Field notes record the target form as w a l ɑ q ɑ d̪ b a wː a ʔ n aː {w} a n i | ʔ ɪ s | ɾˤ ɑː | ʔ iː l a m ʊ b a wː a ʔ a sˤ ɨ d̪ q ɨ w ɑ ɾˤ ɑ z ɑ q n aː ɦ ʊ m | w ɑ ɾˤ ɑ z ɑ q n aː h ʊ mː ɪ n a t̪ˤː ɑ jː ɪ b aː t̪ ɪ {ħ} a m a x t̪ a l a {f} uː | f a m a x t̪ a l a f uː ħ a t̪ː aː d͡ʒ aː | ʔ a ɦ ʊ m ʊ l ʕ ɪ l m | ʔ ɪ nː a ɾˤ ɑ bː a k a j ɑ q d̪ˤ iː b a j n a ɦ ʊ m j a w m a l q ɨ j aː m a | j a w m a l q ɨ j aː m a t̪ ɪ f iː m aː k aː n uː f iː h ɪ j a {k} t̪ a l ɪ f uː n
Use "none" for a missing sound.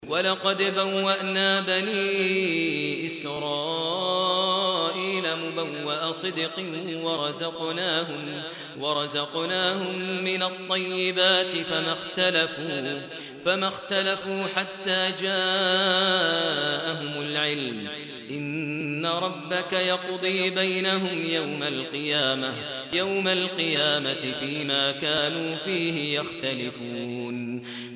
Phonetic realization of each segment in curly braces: b, f, f, x

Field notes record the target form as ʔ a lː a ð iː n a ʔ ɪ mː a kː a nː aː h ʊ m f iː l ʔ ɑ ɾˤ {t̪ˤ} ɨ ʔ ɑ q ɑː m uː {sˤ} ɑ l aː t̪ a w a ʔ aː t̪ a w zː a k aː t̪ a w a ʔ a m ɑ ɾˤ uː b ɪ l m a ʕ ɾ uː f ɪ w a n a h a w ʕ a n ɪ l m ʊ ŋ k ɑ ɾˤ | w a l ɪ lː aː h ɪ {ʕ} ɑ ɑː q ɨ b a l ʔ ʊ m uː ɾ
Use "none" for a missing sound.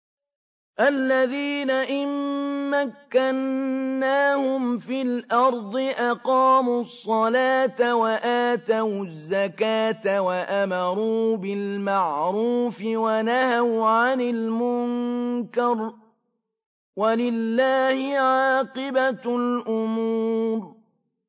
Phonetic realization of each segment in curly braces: d̪ˤ, sˤː, ʕ

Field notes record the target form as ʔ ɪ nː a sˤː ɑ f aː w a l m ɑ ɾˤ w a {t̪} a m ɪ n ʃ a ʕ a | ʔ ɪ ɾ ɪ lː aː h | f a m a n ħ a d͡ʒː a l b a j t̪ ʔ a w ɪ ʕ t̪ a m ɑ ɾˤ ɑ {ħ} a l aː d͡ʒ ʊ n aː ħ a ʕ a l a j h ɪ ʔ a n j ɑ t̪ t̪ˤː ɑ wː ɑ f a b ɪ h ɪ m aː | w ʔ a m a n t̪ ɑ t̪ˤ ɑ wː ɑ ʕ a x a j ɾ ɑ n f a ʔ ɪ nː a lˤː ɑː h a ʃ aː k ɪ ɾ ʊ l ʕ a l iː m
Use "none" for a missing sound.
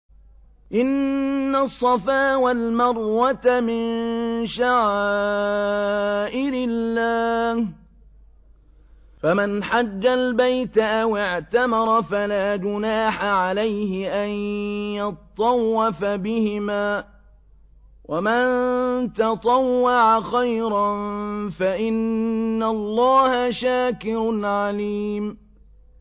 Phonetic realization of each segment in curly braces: t̪, f

